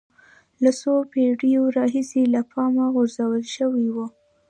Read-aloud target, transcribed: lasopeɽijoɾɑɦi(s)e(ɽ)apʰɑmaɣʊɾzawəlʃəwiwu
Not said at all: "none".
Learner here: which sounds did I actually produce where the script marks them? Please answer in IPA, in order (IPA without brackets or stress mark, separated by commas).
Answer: s, l